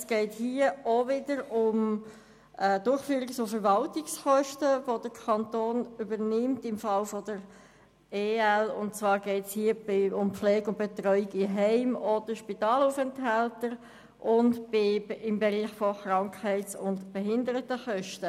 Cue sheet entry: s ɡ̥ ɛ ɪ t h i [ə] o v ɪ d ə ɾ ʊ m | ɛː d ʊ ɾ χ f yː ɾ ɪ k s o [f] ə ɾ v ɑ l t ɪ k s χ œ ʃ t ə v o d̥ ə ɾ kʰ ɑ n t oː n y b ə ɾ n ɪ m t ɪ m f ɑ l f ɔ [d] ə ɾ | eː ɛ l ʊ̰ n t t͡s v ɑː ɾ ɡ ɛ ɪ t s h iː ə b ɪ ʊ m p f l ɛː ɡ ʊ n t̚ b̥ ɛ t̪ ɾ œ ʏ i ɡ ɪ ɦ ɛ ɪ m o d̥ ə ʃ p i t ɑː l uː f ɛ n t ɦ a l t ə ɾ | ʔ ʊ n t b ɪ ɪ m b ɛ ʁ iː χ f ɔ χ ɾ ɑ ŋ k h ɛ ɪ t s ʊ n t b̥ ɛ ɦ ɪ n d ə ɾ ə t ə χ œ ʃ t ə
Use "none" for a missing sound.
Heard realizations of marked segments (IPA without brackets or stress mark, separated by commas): ə, f, d